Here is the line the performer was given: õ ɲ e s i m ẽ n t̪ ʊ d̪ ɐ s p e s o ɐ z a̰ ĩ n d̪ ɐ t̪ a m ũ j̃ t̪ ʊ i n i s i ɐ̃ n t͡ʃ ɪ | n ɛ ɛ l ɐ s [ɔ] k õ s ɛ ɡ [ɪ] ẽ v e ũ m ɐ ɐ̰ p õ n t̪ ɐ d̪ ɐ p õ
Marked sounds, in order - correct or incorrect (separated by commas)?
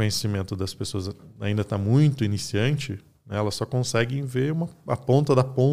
correct, correct